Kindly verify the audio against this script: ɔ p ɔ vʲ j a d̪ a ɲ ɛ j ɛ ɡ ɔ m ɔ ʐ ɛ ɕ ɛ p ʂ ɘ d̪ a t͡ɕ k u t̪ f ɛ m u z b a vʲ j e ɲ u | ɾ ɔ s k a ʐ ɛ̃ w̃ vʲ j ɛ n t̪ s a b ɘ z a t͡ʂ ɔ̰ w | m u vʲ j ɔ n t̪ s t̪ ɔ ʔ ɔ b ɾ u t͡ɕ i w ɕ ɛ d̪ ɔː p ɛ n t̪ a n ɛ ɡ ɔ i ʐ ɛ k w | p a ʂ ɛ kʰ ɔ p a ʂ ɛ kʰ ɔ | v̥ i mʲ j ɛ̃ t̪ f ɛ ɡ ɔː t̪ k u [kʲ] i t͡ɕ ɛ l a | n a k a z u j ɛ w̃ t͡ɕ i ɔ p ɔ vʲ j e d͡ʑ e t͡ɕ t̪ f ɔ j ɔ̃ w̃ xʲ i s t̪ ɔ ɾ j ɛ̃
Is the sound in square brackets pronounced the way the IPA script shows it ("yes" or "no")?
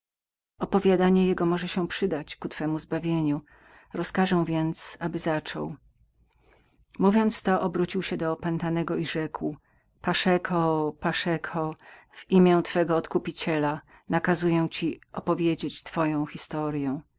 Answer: no